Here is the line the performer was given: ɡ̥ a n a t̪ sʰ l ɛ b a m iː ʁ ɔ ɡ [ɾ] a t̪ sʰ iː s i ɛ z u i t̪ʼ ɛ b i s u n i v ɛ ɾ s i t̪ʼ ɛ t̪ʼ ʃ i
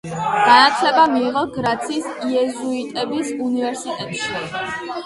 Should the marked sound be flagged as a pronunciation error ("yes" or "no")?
no